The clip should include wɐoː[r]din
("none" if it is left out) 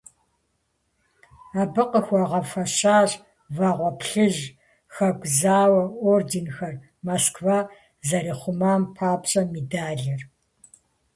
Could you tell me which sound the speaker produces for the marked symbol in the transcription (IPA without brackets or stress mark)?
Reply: r